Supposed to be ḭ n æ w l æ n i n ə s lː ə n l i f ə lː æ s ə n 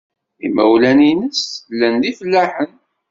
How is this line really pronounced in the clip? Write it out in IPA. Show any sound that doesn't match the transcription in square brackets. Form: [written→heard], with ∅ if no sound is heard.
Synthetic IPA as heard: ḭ [n→m] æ w l æ n i n ə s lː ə n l i f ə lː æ [s→ħ] ə n